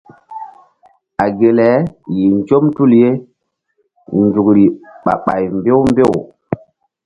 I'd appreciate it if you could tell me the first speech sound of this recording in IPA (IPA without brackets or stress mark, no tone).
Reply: a